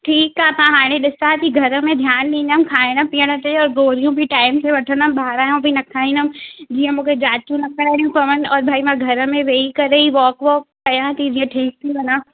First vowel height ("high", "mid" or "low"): high